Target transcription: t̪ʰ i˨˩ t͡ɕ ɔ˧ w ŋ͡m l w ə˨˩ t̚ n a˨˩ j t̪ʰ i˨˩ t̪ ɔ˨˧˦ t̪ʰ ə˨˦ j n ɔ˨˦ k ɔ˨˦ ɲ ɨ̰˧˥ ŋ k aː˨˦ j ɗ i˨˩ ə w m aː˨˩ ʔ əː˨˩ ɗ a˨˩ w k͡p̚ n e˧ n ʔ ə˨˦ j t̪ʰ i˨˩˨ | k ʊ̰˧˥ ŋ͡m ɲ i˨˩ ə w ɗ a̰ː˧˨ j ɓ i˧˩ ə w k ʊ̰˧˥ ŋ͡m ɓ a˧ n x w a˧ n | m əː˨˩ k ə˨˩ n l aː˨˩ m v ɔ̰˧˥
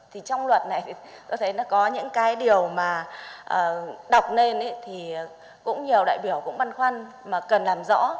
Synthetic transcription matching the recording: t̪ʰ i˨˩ t͡ɕ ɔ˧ w ŋ͡m l w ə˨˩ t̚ n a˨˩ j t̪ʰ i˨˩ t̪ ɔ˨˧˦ t̪ʰ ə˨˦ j n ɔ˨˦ k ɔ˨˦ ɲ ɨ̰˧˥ ŋ k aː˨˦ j ɗ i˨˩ ə w m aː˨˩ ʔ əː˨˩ ɗ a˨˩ w k͡p̚ n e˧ n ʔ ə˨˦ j t̪ʰ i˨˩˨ | k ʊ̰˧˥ ŋ͡m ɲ i˨˩ ə w ɗ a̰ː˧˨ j ɓ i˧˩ ə w k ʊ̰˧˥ ŋ͡m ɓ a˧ n x w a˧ n | m aː˨˩ k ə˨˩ n l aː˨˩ m z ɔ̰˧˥